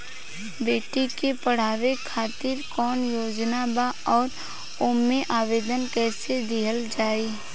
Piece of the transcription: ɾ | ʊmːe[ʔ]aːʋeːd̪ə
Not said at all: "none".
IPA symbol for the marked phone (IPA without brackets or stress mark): ʔ